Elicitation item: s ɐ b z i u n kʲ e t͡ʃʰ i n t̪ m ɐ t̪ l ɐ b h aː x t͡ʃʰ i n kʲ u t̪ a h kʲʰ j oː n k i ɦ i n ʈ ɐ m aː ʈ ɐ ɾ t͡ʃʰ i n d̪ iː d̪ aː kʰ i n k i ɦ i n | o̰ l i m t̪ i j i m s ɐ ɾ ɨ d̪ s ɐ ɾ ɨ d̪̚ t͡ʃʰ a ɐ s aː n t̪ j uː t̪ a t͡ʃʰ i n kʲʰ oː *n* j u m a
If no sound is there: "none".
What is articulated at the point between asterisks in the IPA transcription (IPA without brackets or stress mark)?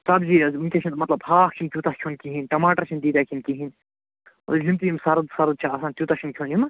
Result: n